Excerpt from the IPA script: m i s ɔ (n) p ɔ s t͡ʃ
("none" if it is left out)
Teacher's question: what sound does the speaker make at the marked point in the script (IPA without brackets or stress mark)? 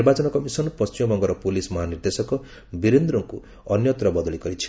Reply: n